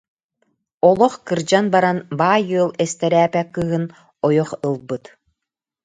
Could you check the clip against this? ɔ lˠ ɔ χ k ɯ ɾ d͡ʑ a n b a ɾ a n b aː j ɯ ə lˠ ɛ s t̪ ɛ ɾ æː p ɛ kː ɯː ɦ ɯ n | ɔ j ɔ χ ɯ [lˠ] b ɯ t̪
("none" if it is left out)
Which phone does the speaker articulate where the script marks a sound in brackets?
lˠ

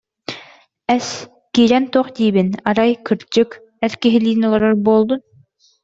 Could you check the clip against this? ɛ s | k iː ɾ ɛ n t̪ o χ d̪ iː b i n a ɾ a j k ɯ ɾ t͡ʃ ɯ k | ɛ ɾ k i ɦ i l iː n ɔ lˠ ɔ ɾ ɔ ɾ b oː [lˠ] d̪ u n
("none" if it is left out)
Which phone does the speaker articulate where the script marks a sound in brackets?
lˠ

